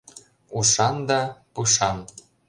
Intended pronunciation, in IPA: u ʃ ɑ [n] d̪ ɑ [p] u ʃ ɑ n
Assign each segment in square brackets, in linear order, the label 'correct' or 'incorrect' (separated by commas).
correct, correct